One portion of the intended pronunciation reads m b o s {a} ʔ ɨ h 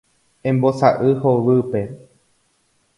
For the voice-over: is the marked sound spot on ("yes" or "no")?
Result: yes